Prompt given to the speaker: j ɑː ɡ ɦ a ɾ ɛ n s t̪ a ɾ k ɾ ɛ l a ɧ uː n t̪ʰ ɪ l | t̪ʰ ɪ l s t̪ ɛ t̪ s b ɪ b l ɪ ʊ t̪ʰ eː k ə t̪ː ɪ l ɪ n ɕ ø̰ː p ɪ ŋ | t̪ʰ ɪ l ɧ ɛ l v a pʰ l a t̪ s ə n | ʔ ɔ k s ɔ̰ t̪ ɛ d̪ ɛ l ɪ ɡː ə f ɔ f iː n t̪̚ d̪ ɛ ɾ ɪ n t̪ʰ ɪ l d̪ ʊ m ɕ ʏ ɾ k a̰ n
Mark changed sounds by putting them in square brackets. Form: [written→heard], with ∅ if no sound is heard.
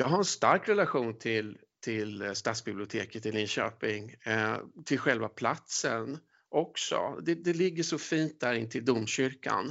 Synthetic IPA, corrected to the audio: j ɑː ɡ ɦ a ɾ ɛ n s t̪ a ɾ k ɾ ɛ l a ɧ uː n t̪ʰ ɪ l | t̪ʰ ɪ l s t̪ [ɛ→a] t̪ s b ɪ b l ɪ ʊ t̪ʰ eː k ə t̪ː ɪ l ɪ n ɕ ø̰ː p ɪ ŋ | t̪ʰ ɪ l ɧ ɛ l v a pʰ l a t̪ s ə n | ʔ ɔ k s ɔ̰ [t̪→d̪] ɛ d̪ ɛ l ɪ ɡː ə [f→ʂ] ɔ f iː n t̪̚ d̪ [ɛ→æ] ɾ ɪ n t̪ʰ ɪ l d̪ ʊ m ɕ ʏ ɾ k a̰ n